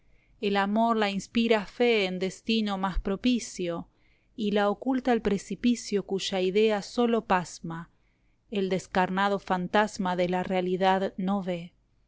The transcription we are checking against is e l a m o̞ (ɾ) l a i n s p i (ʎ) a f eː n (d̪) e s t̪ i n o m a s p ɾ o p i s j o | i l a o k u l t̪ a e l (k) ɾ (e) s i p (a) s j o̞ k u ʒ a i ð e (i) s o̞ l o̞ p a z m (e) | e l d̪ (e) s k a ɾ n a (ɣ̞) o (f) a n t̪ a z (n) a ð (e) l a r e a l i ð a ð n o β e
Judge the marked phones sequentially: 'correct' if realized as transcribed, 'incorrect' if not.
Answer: correct, incorrect: ɾ, correct, incorrect: p, correct, incorrect: i, incorrect: a, incorrect: a, correct, incorrect: ð̞, correct, incorrect: m, correct

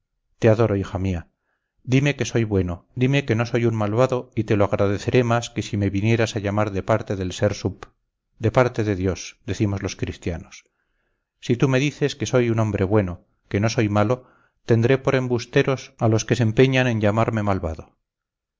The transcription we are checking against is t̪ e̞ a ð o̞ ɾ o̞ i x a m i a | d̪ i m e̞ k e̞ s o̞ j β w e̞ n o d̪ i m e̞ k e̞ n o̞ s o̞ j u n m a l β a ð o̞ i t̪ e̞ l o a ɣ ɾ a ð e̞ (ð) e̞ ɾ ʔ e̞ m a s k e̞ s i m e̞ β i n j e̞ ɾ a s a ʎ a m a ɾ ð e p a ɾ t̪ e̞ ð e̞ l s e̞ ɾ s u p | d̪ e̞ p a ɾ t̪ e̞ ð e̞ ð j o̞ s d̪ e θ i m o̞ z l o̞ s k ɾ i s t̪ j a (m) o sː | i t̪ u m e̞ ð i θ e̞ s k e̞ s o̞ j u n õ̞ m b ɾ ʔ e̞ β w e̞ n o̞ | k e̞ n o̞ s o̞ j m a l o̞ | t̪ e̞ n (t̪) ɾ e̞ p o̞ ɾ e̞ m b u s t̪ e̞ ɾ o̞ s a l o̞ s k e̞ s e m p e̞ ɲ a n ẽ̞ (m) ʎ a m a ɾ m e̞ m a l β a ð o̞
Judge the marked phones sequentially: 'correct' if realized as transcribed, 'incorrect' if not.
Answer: incorrect: θ, incorrect: n, incorrect: d̪, incorrect: ɲ

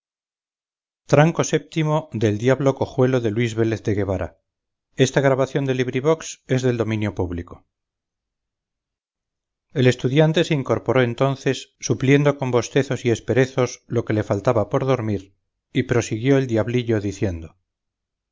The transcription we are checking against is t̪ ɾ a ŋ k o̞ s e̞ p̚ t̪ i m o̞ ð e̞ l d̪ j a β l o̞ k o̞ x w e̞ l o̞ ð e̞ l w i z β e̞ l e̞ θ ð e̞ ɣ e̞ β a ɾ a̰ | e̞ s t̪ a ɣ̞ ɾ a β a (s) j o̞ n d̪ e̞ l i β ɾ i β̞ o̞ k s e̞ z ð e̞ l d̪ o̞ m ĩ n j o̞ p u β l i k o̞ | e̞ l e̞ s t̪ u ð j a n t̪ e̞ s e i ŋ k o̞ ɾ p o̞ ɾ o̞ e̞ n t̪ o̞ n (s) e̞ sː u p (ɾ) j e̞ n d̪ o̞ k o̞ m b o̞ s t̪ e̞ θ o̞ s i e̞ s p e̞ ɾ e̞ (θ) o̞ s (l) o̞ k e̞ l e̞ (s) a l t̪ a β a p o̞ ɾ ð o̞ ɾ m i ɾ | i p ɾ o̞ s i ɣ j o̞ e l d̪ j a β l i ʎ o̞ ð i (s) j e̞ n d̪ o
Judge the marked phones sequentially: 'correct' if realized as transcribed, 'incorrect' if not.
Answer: incorrect: θ, incorrect: θ, incorrect: l, correct, correct, incorrect: f, incorrect: θ

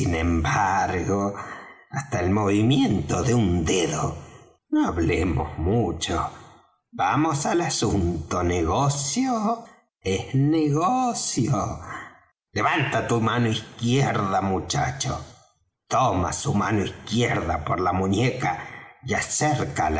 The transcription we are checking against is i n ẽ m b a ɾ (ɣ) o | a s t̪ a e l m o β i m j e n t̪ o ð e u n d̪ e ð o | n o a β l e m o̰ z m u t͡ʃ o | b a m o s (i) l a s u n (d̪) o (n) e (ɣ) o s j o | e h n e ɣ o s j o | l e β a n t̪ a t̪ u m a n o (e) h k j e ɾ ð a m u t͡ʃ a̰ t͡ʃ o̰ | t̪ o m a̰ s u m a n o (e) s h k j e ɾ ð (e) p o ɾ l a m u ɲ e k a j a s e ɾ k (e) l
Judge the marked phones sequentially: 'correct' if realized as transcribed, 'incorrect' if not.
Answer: correct, incorrect: a, incorrect: t̪, correct, correct, incorrect: i, incorrect: i, incorrect: a, incorrect: a

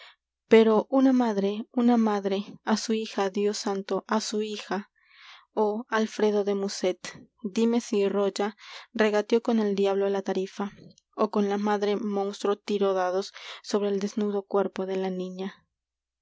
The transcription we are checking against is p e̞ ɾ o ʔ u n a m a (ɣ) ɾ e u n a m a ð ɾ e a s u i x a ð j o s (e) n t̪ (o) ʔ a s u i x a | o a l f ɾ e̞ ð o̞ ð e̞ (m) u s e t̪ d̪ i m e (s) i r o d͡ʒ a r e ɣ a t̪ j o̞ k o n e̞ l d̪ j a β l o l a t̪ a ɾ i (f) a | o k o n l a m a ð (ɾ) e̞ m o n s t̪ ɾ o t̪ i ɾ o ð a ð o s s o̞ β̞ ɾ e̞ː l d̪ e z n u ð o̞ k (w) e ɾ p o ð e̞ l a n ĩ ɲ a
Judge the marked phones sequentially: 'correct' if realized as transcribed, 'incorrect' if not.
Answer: incorrect: ð, incorrect: a, correct, correct, correct, correct, correct, correct

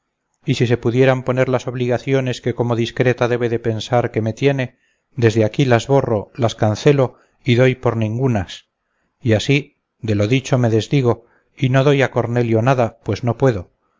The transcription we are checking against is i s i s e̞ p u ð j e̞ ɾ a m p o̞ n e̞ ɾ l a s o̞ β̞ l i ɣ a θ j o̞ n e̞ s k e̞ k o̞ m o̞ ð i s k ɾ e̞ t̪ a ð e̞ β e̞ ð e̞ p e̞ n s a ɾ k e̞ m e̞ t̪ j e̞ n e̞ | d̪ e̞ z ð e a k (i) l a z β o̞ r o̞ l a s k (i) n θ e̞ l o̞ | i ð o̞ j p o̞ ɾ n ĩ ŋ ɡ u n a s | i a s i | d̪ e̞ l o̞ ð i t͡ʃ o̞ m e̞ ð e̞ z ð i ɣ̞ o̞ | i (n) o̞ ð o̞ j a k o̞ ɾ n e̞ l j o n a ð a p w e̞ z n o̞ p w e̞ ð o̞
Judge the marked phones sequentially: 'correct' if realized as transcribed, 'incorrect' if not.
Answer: correct, incorrect: a, correct

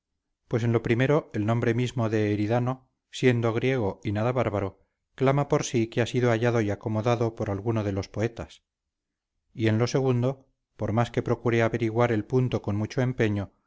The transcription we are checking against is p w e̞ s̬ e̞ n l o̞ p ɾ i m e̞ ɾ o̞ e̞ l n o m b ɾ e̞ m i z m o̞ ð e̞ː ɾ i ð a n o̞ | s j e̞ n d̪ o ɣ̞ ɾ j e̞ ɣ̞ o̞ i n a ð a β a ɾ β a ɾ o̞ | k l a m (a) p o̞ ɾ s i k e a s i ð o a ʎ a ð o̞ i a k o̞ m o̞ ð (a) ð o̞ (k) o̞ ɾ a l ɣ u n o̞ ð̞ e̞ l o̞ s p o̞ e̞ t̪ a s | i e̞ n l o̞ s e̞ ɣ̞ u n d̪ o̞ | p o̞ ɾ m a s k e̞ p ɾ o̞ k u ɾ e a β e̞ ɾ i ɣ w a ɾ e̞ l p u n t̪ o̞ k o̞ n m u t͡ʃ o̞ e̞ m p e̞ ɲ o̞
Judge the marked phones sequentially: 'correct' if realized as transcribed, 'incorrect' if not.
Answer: correct, correct, incorrect: p

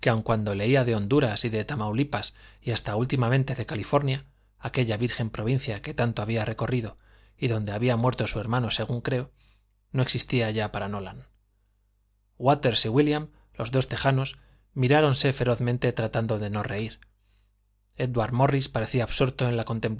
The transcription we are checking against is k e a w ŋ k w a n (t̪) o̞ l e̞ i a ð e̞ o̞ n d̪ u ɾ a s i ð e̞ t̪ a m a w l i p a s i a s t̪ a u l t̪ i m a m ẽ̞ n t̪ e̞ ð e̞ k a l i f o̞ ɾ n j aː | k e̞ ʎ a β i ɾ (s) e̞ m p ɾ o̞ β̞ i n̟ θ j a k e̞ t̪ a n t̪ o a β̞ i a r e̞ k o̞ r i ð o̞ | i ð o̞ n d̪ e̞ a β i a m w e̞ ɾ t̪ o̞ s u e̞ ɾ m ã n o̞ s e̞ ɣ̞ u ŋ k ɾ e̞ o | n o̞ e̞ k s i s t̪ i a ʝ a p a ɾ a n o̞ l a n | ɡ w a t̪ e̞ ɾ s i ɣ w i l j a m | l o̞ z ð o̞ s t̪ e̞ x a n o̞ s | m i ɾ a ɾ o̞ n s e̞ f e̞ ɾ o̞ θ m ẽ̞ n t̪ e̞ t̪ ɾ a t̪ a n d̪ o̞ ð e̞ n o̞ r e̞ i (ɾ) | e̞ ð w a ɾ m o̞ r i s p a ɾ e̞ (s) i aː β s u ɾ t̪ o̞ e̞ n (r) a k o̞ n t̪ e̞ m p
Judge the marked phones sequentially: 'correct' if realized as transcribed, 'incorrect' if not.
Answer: incorrect: d̪, incorrect: x, correct, incorrect: θ, incorrect: l

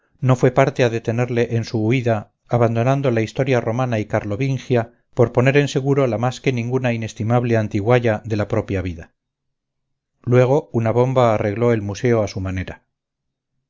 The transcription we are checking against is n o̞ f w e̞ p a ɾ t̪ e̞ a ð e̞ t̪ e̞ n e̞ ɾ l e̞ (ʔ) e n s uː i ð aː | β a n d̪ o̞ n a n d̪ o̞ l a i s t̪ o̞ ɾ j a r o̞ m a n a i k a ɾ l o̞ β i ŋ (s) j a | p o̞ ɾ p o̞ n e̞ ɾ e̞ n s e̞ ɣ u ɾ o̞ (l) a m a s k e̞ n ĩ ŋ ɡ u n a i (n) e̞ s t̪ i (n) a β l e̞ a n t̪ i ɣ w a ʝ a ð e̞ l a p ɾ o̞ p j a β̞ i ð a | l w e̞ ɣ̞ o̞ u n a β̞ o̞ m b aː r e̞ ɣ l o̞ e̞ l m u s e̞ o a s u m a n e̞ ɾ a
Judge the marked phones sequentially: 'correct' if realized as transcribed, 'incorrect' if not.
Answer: correct, incorrect: x, correct, correct, incorrect: m

